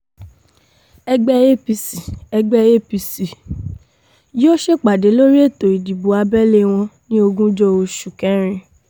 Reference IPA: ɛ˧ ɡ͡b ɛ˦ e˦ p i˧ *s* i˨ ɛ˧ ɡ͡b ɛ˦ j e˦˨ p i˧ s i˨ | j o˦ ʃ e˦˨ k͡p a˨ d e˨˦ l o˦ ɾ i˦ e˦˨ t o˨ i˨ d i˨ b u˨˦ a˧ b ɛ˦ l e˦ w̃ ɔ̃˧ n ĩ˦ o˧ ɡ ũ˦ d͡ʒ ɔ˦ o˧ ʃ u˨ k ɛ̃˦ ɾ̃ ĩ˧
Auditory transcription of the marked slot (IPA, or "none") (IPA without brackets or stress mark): s